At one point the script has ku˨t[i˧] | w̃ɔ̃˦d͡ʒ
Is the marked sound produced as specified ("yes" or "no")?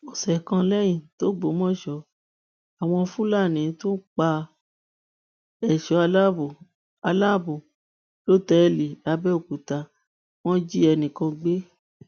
no